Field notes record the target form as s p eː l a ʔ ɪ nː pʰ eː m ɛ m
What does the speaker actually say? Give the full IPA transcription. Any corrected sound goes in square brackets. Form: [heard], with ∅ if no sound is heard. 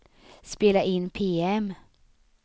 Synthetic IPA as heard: s p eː l a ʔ ɪ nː pʰ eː [∅] ɛ m